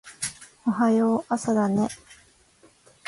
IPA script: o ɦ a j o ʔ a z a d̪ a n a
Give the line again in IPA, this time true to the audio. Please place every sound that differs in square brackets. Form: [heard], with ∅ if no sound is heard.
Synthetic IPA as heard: o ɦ a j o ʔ a [s] a d̪ a n [e]